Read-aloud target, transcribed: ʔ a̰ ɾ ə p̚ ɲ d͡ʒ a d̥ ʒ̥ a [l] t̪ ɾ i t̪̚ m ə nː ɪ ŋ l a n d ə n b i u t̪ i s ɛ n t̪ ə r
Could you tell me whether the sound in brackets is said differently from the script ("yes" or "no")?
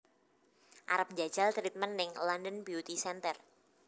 no